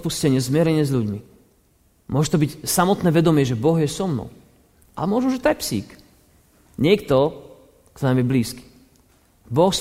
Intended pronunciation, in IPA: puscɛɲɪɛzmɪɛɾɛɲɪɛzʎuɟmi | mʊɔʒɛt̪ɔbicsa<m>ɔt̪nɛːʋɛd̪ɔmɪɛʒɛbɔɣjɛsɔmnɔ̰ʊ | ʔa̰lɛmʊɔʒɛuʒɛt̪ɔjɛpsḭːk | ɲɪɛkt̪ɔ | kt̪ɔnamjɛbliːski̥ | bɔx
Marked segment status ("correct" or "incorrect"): correct